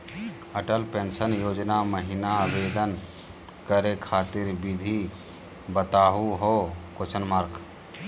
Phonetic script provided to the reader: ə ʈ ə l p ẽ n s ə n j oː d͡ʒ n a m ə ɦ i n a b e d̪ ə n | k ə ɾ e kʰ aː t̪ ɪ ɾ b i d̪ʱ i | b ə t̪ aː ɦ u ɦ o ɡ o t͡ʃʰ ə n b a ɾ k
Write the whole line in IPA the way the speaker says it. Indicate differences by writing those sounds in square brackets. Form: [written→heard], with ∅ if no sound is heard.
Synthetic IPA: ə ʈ ə l p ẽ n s ə n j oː d͡ʒ n a m ə ɦ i n a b e d̪ ə n | k ə ɾ e kʰ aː t̪ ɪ ɾ b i d̪ʱ i | b ə t̪ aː ɦ u ɦ o [ɡ→k] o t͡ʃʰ ə n [b→m] a ɾ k

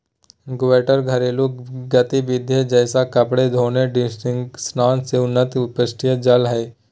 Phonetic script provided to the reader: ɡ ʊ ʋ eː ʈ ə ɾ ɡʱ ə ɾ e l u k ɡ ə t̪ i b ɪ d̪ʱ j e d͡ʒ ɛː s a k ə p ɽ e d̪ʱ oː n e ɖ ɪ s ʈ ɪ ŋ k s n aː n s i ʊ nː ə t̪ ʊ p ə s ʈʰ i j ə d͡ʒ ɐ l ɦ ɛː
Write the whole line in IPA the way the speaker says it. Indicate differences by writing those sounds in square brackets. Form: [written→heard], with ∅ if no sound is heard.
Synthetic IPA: ɡ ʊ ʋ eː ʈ ə ɾ ɡʱ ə ɾ e l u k ɡ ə t̪ i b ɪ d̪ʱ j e d͡ʒ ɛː s a k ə p ɽ e d̪ʱ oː n e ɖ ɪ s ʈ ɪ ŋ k s n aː n s [i→e] ʊ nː ə t̪ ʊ p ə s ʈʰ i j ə d͡ʒ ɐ l ɦ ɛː

